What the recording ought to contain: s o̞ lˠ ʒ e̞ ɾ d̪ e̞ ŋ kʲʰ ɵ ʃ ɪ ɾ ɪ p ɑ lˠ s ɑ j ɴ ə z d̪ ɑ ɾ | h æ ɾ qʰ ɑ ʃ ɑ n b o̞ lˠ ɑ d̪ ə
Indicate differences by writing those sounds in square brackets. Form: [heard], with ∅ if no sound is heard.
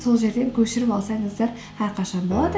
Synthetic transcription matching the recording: s o̞ lˠ ʒ e̞ ɾ d̪ e̞ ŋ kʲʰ ɵ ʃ ɪ ɾ ɪ p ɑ lˠ s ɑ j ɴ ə z d̪ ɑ ɾ | h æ ɾ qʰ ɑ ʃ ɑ n b o̞ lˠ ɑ d̪ ə